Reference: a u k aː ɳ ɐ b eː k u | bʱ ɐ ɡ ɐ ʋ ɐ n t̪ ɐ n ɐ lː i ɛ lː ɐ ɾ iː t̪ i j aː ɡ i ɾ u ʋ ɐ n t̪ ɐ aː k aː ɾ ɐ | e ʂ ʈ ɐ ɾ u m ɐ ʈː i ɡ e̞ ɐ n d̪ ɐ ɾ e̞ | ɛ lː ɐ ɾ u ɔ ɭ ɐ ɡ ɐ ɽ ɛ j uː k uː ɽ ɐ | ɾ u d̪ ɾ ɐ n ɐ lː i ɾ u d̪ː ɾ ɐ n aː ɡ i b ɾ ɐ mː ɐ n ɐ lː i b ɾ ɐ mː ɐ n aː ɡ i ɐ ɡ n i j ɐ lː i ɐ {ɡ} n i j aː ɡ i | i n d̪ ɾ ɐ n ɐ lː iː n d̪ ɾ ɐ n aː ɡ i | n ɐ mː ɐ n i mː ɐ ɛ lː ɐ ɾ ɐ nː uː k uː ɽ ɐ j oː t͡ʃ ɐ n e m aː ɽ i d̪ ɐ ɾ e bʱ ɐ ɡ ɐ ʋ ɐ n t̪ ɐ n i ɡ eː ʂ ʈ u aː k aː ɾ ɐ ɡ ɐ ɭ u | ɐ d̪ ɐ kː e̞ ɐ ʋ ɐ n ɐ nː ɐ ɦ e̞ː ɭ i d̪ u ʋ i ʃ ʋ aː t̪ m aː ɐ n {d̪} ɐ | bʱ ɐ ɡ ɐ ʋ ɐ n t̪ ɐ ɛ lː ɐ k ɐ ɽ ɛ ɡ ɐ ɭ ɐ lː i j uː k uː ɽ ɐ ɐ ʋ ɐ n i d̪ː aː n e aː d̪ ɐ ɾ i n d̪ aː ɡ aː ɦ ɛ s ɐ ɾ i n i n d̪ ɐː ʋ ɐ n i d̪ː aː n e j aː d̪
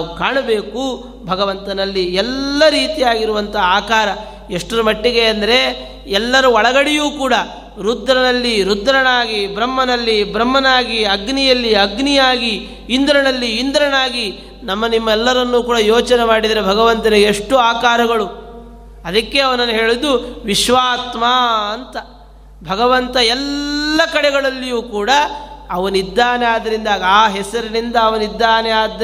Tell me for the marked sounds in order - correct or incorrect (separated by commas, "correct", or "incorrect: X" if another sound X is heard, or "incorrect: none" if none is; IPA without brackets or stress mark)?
correct, incorrect: t̪